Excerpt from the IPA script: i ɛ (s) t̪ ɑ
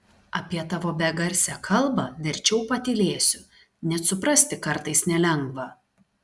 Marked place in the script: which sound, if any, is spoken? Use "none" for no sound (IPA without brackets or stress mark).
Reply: none